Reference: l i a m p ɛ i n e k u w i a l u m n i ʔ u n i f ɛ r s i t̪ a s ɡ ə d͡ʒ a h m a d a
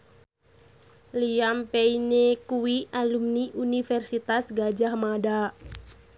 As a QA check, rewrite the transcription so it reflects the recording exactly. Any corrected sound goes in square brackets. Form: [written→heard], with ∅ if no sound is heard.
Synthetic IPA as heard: l i a m p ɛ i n e k u w i a l u m n i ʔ u n i f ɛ r s i t̪ a s ɡ [ə→a] d͡ʒ a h m a d a